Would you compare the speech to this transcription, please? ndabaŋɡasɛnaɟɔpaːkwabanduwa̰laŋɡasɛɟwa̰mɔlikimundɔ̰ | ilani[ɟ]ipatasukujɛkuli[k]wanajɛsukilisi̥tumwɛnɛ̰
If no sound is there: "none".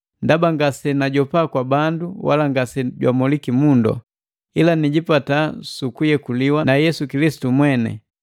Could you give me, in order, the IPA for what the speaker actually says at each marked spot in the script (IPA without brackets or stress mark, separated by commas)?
ɟ, none